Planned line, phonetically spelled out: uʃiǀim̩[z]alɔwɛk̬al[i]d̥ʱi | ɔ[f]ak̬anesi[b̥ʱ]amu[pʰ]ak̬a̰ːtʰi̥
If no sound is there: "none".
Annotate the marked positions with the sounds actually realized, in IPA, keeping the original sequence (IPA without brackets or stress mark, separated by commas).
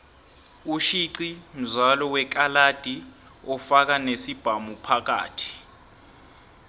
z, a, f, b̥ʱ, pʰ